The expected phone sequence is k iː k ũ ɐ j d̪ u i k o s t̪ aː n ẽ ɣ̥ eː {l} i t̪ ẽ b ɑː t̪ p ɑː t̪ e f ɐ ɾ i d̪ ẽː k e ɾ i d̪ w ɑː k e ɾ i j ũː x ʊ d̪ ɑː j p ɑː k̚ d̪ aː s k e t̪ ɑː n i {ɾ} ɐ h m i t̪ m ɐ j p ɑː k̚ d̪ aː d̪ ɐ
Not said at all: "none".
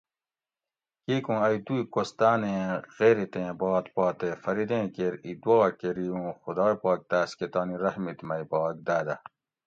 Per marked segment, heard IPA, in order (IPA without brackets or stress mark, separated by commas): ɾ, ɾ